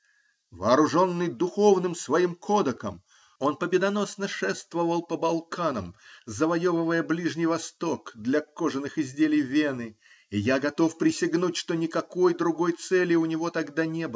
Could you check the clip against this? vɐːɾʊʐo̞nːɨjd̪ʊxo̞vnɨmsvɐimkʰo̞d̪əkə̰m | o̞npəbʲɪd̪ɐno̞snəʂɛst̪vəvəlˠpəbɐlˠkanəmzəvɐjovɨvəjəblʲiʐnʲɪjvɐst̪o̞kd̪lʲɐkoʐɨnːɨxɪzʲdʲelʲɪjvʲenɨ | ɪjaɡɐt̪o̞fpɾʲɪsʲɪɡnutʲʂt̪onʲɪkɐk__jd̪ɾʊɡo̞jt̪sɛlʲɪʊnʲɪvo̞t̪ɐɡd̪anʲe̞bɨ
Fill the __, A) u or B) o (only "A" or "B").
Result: B